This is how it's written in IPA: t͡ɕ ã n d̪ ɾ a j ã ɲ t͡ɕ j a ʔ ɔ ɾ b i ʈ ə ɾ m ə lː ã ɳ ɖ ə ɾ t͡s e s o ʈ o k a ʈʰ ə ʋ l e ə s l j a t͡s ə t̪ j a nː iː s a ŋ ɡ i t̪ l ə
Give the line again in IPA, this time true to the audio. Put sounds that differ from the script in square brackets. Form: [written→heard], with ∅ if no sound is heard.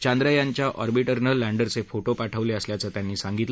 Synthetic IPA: t͡ɕ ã n d̪ ɾ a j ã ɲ t͡ɕ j a ʔ ɔ ɾ b i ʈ ə ɾ [m→n] ə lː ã ɳ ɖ ə ɾ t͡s e [s→f] o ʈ o [k→p] a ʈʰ ə ʋ l e ə s l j a t͡s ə t̪ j a nː iː s a ŋ ɡ i t̪ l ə